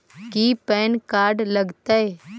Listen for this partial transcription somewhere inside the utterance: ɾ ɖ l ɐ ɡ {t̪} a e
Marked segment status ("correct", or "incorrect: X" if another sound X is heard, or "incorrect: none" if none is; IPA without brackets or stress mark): correct